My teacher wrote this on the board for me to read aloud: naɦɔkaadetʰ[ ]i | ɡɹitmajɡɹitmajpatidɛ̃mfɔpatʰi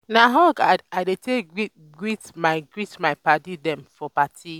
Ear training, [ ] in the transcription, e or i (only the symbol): e